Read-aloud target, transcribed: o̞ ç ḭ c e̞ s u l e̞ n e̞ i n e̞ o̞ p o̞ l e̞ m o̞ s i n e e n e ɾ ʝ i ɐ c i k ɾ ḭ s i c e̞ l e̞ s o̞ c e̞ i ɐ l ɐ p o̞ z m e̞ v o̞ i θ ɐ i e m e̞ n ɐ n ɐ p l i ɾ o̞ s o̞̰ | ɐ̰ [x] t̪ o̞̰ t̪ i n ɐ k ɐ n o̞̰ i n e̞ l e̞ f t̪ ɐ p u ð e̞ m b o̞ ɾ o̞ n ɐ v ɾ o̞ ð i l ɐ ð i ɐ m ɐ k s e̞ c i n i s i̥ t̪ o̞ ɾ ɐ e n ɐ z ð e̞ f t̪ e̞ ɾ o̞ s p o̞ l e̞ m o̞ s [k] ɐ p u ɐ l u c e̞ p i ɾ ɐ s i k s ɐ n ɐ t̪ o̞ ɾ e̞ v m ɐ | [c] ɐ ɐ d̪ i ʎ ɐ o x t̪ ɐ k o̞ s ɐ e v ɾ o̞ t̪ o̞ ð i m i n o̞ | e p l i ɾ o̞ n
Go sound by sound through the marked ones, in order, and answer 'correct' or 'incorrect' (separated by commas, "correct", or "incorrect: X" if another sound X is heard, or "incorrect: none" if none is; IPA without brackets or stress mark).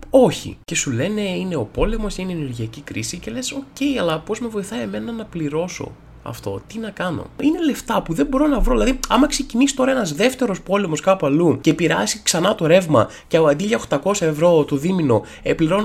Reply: incorrect: f, correct, correct